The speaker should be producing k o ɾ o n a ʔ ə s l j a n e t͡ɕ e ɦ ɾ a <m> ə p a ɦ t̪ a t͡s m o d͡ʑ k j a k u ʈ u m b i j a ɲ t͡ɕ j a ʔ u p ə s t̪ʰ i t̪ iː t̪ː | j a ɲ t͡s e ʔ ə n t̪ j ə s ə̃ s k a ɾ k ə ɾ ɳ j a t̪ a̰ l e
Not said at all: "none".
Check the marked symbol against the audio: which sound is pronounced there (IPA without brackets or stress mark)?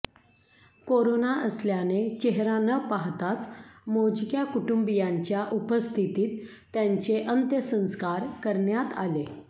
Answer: n